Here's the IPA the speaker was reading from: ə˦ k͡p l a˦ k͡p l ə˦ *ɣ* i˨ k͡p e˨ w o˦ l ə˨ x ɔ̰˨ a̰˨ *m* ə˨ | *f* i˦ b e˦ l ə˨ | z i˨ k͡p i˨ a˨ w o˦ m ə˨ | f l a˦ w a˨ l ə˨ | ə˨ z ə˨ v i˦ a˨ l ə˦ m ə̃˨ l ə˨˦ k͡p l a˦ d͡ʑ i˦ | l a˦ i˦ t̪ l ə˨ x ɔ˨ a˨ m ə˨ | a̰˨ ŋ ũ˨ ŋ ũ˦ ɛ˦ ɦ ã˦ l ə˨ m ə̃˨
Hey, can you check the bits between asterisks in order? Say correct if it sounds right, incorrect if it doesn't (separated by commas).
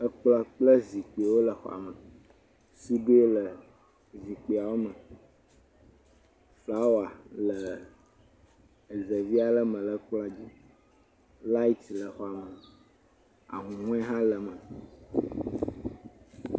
incorrect, correct, incorrect